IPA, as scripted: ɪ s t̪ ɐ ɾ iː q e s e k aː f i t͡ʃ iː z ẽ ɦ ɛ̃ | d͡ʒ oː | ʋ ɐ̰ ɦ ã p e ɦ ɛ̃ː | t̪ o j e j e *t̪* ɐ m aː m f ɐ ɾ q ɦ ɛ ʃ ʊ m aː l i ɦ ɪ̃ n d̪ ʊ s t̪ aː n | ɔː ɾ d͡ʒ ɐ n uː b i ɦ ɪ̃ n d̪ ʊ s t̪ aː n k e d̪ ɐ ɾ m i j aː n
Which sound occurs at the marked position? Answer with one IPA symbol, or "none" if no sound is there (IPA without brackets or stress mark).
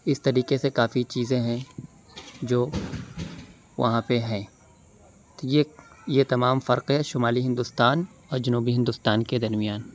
t̪